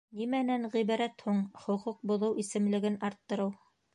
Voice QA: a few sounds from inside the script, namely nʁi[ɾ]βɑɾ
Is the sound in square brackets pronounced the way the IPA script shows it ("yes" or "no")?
no